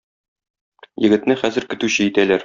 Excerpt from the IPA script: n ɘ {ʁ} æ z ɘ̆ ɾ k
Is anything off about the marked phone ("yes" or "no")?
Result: yes